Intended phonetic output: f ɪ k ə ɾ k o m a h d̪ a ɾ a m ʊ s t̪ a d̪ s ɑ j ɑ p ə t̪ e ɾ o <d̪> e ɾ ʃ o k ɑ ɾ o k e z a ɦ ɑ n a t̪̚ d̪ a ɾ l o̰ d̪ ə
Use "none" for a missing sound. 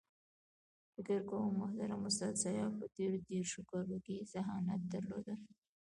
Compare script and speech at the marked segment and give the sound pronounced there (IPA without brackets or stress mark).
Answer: d̪